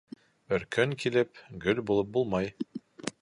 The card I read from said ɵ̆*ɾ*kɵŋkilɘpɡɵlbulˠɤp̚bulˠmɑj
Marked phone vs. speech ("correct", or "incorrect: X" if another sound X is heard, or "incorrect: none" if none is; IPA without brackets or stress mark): correct